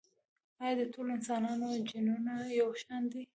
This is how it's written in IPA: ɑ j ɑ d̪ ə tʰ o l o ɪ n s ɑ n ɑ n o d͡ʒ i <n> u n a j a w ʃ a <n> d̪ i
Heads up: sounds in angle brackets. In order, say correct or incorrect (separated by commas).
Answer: correct, correct